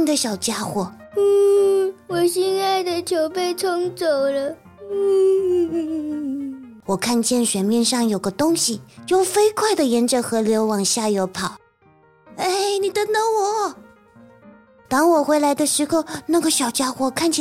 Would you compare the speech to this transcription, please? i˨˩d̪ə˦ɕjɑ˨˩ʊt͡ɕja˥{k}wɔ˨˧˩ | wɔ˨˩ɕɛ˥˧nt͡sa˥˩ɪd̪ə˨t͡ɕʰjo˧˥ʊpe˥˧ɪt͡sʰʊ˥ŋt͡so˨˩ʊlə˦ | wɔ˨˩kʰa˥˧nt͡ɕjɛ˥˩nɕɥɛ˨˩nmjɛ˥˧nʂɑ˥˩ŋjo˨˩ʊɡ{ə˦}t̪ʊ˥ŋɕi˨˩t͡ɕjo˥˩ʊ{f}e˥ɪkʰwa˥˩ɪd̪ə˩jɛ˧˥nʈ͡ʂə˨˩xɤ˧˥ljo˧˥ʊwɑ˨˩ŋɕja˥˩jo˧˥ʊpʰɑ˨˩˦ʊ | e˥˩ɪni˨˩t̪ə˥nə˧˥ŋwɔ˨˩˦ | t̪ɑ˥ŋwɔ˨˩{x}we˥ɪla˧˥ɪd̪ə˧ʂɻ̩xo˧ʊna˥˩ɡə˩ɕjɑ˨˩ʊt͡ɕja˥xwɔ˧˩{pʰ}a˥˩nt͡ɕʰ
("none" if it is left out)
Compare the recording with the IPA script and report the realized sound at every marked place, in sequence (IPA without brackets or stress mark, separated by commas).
x, ə˦, f, x, kʰ